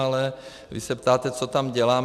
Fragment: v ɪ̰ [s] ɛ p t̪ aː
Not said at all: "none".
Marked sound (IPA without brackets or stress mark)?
s